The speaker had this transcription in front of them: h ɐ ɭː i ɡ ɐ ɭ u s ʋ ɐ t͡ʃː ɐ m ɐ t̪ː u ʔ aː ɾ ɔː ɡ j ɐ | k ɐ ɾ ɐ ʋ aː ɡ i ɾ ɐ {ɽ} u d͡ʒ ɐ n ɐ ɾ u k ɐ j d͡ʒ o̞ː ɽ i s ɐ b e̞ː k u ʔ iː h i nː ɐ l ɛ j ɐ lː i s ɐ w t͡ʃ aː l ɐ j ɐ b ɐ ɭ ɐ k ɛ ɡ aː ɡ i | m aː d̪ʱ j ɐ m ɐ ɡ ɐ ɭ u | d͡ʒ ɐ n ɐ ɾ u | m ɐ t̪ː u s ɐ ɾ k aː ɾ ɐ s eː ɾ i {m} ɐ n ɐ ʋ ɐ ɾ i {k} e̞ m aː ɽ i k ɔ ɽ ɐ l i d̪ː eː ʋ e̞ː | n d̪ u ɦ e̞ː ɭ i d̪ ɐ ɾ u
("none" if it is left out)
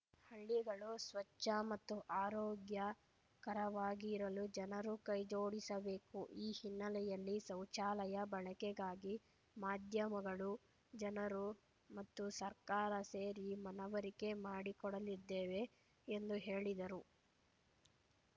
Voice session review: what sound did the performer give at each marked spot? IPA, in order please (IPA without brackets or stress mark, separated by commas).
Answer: l, m, k